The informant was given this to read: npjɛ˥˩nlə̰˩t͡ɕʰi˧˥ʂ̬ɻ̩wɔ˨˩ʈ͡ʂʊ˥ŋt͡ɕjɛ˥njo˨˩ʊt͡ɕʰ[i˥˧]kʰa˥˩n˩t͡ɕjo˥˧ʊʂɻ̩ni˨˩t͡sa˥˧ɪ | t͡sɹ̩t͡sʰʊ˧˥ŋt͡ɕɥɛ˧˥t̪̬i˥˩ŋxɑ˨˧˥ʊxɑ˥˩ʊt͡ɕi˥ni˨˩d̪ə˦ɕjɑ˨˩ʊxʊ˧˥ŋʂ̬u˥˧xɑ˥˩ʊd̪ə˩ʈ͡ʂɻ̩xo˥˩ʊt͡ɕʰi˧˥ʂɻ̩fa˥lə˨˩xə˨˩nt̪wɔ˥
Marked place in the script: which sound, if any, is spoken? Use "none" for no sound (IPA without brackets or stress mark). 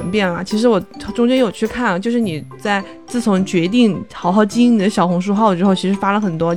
y˥˧